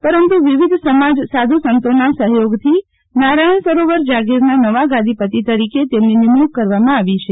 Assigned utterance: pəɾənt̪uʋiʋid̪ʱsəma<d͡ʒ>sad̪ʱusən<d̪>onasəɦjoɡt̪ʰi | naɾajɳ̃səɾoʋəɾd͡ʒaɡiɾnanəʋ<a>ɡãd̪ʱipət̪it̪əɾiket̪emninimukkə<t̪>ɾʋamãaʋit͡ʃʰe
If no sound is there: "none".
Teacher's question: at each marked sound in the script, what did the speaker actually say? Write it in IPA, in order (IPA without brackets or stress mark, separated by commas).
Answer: d͡ʒ, t̪, a, none